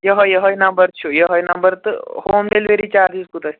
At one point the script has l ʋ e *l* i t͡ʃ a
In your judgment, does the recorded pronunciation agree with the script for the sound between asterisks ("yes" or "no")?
no